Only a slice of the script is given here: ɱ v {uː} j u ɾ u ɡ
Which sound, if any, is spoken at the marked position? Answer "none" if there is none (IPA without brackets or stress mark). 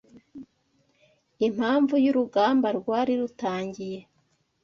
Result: u